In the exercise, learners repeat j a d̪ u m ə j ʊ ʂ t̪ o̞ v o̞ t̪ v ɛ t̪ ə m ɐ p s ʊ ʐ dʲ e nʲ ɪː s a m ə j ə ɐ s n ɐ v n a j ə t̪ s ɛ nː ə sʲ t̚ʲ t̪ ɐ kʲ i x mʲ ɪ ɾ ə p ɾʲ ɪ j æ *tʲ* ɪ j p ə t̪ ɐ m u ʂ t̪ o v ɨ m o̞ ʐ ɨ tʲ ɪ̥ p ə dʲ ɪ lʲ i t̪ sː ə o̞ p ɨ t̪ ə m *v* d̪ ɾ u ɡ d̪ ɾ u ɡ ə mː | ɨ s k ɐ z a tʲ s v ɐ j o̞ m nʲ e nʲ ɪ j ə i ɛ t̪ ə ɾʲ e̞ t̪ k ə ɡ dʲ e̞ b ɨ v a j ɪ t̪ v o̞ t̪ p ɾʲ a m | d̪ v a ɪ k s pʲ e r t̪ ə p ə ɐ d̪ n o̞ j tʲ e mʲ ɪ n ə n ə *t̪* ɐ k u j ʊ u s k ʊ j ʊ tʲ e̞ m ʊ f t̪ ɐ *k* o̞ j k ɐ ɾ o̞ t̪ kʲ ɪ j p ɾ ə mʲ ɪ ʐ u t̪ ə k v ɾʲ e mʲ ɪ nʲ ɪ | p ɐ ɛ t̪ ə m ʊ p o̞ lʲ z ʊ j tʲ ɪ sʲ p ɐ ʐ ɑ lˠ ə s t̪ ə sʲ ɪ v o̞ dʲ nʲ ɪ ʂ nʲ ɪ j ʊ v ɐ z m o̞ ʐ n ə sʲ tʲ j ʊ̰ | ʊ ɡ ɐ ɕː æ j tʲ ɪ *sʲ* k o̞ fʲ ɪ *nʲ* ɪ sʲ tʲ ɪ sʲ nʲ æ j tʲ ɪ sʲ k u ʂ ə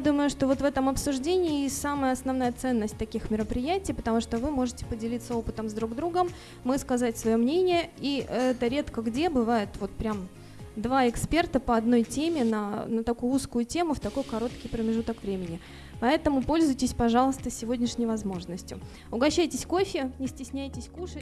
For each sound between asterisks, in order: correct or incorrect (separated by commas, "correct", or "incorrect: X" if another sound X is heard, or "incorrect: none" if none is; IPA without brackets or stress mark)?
correct, incorrect: z, correct, correct, correct, correct